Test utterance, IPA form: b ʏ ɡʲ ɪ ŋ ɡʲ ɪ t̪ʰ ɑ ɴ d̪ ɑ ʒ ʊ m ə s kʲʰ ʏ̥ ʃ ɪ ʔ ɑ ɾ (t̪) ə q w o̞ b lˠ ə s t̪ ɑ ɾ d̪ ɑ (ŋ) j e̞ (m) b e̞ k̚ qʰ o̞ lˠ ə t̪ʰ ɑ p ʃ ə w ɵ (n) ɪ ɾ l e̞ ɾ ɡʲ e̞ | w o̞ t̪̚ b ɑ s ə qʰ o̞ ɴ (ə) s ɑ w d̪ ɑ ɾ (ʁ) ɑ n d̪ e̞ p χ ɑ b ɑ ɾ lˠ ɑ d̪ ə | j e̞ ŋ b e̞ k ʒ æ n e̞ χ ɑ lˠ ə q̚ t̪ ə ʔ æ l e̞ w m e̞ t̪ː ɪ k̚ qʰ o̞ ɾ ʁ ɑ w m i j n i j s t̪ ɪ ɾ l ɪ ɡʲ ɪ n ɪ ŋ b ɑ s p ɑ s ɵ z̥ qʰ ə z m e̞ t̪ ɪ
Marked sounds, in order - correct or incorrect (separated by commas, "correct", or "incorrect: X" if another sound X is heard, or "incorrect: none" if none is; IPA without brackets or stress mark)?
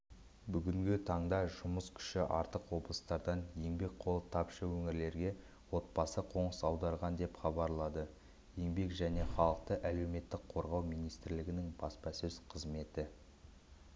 correct, incorrect: n, incorrect: ŋ, incorrect: ŋ, correct, correct